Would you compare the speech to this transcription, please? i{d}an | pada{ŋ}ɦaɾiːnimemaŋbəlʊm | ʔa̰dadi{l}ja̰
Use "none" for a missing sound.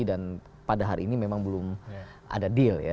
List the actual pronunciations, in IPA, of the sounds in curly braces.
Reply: d, none, l

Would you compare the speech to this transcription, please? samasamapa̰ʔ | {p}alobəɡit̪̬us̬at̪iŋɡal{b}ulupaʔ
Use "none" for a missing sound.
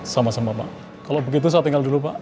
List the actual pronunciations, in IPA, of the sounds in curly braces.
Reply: k, d

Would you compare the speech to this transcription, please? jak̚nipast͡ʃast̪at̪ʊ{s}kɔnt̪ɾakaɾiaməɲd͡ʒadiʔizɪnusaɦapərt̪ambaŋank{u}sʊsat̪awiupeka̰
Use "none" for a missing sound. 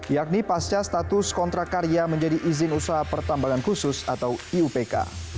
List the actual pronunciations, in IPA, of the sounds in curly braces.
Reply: s, u

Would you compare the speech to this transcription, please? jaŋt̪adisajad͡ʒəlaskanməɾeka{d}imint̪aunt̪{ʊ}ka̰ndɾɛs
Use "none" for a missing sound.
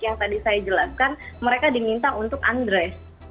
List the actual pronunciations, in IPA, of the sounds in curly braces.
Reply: d, ʊ

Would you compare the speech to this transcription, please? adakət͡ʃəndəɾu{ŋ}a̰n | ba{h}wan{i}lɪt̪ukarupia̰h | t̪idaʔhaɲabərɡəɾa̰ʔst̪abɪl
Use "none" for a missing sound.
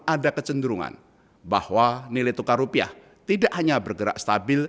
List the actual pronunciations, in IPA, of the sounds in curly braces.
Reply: ŋ, h, i

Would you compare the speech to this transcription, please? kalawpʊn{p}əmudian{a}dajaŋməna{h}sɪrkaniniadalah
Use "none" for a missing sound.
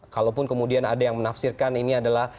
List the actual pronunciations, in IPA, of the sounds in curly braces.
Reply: k, a, f

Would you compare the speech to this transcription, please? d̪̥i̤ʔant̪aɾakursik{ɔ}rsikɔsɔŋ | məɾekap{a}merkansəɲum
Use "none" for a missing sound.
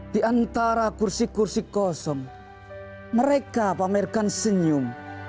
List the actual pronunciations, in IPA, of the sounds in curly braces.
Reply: u, a

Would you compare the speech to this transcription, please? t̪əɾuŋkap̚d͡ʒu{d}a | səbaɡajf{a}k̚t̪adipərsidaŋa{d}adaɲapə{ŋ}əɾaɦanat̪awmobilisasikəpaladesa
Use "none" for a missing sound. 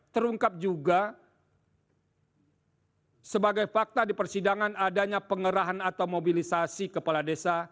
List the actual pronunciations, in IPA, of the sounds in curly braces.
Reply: ɡ, a, n, ŋ

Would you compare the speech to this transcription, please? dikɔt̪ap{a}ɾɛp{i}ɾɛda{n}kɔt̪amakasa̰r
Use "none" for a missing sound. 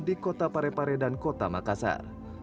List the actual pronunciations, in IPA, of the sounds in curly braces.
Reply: a, a, n

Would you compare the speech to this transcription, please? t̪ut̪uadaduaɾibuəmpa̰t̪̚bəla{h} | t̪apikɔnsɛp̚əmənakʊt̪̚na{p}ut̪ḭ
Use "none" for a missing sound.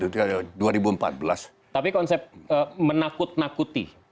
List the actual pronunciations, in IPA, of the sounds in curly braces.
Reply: s, k

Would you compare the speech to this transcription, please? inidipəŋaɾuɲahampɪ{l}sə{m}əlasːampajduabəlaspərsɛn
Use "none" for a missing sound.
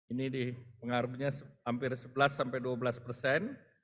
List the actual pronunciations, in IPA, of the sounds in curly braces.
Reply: r, b

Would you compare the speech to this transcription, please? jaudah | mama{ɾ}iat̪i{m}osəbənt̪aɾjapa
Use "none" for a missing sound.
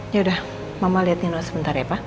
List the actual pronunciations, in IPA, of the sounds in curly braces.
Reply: l, n

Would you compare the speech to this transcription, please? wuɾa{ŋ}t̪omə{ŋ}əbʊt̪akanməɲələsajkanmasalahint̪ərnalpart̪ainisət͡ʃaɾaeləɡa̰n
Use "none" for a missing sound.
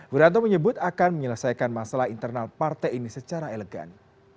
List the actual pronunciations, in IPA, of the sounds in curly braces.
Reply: n, ɲ

